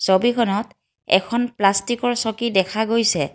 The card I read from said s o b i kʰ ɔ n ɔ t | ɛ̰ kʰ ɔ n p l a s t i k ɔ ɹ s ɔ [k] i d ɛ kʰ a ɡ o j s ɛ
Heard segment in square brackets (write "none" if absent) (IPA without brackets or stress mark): k